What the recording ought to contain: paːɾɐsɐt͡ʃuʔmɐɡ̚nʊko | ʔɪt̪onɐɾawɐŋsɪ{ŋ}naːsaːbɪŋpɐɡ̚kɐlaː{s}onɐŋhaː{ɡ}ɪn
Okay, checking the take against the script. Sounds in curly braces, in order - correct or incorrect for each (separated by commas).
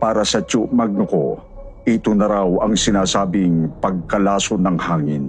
incorrect, correct, incorrect